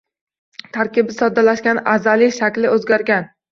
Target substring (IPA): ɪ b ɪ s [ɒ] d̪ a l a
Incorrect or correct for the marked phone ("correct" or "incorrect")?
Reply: correct